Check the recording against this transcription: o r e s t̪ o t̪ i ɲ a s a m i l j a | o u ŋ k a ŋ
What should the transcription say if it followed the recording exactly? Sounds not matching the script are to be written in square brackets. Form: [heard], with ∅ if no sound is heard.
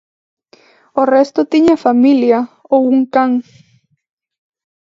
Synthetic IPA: o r e s t̪ o t̪ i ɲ a [f] a m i l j a | o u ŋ k a ŋ